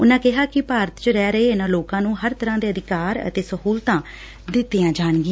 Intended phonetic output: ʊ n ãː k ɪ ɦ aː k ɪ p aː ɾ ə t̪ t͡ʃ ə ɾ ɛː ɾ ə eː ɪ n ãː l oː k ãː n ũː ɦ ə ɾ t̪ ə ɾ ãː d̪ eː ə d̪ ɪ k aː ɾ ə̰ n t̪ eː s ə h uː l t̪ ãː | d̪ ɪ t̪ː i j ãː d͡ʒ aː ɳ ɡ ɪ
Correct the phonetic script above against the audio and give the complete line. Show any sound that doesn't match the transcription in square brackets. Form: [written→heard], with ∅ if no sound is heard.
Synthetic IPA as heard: ʊ n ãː k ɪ ɦ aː k ɪ p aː ɾ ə t̪ t͡ʃ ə ɾ ɛː ɾ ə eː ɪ n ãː l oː k ãː n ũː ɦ ə ɾ t̪ ə ɾ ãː d̪ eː ə d̪ ɪ k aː ɾ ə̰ [n→∅] t̪ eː s ə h uː l t̪ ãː | d̪ ɪ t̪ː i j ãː d͡ʒ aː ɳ ɡ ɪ